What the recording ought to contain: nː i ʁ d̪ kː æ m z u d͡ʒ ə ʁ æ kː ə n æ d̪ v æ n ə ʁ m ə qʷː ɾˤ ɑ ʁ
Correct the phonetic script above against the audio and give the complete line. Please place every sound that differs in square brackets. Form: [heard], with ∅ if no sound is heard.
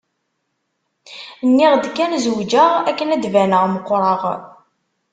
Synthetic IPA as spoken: nː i ʁ d̪ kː æ [n] z [w] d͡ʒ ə ʁ æ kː ə n æ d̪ v æ n ə ʁ m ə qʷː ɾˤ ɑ ʁ